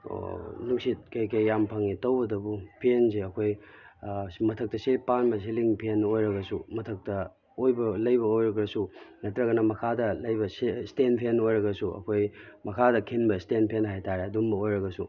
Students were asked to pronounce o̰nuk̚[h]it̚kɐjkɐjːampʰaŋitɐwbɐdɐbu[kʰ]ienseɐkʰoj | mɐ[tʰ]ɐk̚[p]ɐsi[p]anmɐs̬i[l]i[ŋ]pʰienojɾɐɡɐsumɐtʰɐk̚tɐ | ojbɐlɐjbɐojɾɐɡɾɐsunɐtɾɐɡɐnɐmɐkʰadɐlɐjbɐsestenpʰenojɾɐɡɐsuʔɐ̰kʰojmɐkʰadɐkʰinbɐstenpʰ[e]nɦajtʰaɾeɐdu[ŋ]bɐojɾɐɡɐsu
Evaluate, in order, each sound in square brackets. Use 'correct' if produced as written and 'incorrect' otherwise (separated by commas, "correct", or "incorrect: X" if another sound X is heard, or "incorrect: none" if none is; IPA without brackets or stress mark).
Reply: incorrect: s, incorrect: pʰ, correct, incorrect: t, correct, correct, correct, correct, incorrect: m